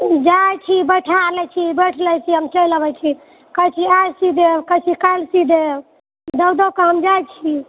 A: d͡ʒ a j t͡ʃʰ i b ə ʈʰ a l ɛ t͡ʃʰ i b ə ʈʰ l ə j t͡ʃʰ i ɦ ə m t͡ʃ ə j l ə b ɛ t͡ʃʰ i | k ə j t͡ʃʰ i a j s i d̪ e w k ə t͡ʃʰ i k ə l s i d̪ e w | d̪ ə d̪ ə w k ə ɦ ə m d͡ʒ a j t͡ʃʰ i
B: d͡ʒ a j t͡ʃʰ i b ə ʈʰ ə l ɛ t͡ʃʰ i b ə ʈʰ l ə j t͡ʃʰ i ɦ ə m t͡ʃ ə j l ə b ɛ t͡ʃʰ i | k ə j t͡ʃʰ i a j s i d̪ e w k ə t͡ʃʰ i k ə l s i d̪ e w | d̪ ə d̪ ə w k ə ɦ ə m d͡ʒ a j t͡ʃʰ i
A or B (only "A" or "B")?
A